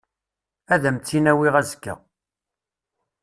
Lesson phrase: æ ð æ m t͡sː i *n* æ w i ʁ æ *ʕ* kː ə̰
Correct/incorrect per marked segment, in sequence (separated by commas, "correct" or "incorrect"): correct, incorrect